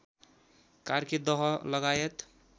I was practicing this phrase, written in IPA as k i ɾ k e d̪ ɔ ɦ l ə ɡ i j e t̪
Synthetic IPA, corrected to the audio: k a ɾ k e d̪ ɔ ɦ l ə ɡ a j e t̪